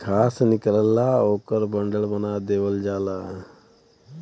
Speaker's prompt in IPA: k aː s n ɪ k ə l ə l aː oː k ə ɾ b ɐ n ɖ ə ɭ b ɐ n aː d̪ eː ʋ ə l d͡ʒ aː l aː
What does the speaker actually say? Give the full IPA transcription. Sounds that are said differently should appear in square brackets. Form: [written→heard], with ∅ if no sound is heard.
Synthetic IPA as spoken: [k→kʰ] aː s n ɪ k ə l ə l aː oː k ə ɾ b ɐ [n→ɳ] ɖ ə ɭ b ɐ n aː d̪ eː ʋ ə l d͡ʒ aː l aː